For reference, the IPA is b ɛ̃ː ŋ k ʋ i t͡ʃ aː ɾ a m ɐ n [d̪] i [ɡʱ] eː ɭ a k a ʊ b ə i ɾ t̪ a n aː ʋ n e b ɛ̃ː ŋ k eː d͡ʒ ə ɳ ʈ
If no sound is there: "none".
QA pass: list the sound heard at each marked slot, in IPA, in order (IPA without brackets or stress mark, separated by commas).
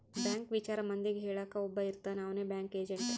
d̪, ɡʱ